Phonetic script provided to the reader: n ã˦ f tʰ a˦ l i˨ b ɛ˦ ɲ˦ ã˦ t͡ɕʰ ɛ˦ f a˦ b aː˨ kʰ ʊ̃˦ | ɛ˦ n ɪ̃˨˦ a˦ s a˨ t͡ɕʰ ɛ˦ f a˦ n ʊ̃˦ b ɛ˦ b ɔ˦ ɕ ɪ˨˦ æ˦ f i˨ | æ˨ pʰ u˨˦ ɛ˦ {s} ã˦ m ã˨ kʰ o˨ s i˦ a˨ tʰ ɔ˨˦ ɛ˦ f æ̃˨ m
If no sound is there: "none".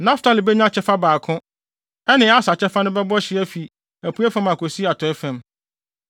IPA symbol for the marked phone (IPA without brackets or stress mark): f